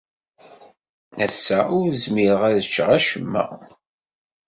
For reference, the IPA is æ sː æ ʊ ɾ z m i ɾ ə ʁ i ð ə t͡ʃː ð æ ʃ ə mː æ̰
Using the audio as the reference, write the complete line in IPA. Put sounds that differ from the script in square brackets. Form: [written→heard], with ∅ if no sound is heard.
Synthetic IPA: æ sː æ ʊ ɾ z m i ɾ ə ʁ [i→æ] ð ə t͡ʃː [ð→ʁ] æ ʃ ə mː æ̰